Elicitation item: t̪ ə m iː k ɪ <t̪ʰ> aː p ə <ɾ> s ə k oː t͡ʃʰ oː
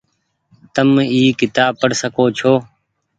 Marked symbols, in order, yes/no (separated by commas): no, no